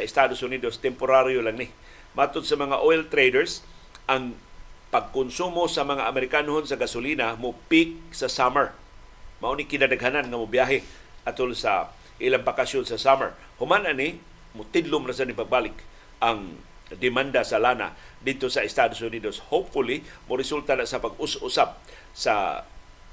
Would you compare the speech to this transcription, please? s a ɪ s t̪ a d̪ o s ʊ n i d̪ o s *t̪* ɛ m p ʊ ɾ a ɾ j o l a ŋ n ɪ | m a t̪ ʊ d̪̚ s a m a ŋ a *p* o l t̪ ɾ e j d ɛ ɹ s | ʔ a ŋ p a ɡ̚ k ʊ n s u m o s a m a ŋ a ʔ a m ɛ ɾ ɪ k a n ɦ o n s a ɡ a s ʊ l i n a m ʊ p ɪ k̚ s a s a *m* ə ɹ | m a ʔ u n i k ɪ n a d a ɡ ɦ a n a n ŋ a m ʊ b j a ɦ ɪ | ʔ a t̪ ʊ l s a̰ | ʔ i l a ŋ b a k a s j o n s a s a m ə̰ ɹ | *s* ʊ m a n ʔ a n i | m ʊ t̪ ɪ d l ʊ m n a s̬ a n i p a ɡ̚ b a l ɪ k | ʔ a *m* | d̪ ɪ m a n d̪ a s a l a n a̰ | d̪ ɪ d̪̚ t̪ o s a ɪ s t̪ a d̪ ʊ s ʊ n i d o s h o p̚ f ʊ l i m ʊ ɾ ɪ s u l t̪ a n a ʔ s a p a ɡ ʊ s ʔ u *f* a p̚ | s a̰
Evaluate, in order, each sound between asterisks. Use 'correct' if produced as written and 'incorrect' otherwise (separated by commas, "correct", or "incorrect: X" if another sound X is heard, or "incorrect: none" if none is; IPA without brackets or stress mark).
correct, incorrect: ʔ, correct, incorrect: h, incorrect: ŋ, incorrect: s